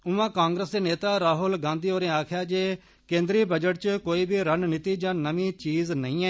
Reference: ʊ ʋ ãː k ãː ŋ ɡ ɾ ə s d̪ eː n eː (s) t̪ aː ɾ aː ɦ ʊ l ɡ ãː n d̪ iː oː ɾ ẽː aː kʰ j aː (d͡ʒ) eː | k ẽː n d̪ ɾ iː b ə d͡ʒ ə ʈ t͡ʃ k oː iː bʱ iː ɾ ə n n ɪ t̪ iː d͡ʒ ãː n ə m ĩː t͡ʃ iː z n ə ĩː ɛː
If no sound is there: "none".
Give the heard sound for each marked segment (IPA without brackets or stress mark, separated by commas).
none, d͡ʒ